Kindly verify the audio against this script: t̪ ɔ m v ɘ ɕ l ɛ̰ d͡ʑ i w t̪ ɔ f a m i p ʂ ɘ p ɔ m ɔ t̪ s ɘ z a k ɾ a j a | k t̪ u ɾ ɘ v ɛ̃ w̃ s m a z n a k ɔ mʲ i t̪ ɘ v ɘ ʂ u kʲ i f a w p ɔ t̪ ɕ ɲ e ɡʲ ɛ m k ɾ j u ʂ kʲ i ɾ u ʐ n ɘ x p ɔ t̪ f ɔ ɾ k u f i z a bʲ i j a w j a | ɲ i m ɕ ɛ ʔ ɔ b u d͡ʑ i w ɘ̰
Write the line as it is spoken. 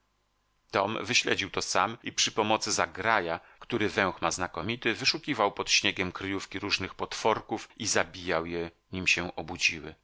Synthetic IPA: t̪ ɔ m v ɘ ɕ l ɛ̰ d͡ʑ i w t̪ ɔ s a m i p ʂ ɘ p ɔ m ɔ t̪ s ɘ z a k ɾ a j a | k t̪ u ɾ ɘ v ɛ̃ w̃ x m a z n a k ɔ mʲ i t̪ ɘ v ɘ ʂ u kʲ i v a w p ɔ t̪ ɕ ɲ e ɡʲ ɛ m k ɾ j u f kʲ i ɾ u ʐ n ɘ x p ɔ t̪ f ɔ ɾ k u f i z a bʲ i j a w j ɛ | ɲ i m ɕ ɛ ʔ ɔ b u d͡ʑ i w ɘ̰